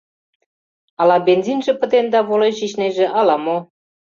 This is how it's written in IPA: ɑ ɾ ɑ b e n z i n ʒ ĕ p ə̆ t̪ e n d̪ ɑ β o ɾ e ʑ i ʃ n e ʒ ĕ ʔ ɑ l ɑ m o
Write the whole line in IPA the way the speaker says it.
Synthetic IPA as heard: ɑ l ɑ b e n z i n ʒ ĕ p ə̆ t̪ e n d̪ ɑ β o l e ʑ i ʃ n e ʒ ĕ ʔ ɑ l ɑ m o